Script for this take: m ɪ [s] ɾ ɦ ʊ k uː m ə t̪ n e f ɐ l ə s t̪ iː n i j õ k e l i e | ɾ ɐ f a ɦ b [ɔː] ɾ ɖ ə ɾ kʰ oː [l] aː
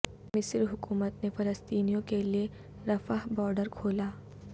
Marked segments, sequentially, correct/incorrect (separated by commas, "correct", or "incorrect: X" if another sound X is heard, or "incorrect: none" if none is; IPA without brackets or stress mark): correct, correct, correct